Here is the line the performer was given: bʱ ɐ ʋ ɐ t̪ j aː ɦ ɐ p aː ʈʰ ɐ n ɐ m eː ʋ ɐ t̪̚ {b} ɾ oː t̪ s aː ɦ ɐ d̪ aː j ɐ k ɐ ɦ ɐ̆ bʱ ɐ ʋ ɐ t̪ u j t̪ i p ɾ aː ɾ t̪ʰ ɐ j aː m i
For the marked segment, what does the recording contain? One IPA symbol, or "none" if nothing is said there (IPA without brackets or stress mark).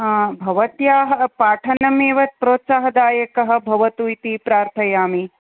p